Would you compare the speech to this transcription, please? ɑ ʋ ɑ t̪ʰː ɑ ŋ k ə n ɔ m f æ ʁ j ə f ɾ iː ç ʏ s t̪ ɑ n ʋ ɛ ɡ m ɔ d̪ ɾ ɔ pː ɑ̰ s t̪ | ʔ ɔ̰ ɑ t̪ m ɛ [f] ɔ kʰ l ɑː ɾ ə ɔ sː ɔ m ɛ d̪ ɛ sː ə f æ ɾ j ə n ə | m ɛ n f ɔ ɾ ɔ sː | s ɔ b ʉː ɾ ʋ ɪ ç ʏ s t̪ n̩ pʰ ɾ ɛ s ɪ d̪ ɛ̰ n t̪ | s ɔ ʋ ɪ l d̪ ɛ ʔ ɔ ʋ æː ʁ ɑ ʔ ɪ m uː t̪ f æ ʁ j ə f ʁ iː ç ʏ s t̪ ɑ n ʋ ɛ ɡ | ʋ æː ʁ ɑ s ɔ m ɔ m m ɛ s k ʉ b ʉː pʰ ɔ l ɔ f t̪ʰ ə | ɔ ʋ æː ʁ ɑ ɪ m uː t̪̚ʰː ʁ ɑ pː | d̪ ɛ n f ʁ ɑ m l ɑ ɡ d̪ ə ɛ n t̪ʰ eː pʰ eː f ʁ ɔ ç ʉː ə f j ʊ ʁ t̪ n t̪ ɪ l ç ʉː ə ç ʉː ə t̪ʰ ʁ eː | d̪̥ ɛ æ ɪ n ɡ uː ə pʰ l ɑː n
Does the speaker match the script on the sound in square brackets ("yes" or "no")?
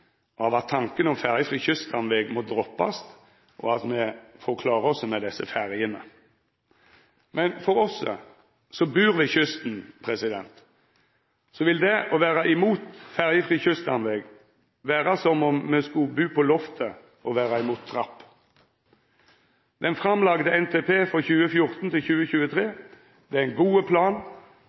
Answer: yes